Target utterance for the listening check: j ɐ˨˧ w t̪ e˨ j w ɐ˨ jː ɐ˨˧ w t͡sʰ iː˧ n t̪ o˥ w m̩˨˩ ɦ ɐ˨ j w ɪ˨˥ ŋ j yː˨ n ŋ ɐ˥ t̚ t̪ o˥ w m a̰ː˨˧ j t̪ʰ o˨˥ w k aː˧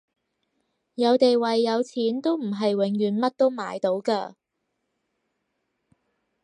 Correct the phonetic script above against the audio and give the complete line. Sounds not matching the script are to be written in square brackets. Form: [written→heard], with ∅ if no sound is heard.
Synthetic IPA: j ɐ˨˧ w t̪ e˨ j w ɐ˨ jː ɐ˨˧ w t͡sʰ [iː˧→iː˨˥] n t̪ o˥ w m̩˨˩ ɦ ɐ˨ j w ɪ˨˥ ŋ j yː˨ n [ŋ→m] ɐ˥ t̚ t̪ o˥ w m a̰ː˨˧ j [t̪ʰ→t̪] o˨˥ w k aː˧